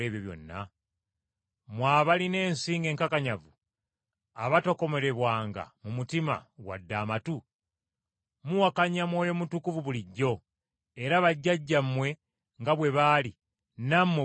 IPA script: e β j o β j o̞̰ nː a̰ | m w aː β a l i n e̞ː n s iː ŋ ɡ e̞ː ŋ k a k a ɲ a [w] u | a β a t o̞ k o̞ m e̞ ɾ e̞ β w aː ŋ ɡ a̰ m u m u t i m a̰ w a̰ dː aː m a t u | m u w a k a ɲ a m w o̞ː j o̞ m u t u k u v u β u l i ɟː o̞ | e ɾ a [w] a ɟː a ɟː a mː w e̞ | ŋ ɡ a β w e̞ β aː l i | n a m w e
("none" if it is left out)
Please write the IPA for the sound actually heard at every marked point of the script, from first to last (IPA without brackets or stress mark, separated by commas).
v, β